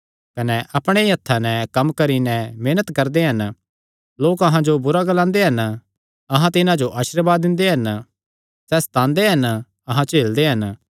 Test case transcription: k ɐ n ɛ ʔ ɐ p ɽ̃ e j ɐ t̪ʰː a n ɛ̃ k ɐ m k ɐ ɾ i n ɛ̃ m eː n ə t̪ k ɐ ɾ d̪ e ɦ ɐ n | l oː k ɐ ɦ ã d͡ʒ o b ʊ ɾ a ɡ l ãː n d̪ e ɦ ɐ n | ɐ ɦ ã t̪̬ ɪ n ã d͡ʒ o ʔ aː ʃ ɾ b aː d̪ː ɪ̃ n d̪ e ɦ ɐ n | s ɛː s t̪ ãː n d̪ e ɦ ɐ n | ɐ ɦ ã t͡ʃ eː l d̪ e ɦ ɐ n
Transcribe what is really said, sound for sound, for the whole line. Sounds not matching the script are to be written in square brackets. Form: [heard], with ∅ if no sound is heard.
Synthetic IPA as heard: k ɐ n ɛ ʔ ɐ p ɽ̃ e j ɐ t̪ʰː a n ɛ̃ k ɐ m k ɐ ɾ i n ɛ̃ m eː n ə t̪ k ɐ ɾ d̪ e ɦ ɐ n | l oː k ɐ ɦ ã d͡ʒ o b ʊ ɾ a ɡ l ãː n d̪ e ɦ ɐ n | ɐ ɦ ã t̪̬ ɪ n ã d͡ʒ o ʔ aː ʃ ɾ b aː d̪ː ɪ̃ n d̪ e ɦ ɐ n | s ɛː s t̪ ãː n d̪ e ɦ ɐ n | ɐ ɦ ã t͡ʃ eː l d̪ e ɦ ɐ n